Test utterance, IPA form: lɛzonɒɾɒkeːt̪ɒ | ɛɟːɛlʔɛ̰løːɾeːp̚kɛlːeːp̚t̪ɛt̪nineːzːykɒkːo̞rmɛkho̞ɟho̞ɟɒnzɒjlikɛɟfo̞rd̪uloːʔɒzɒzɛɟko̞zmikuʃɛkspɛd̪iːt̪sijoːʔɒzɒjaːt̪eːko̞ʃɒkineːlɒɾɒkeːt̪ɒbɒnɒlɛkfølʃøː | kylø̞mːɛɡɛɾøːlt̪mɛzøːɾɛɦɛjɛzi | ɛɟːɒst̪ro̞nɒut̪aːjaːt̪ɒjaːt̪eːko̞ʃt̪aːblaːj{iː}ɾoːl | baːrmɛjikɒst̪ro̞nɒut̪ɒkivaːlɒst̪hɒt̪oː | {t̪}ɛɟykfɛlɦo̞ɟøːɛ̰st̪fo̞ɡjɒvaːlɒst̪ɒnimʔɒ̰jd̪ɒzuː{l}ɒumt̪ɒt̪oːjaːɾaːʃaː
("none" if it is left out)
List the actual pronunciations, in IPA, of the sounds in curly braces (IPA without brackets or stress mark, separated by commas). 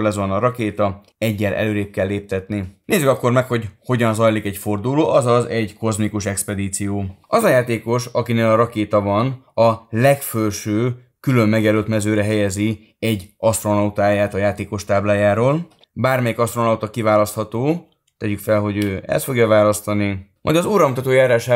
aː, t̪, ɾ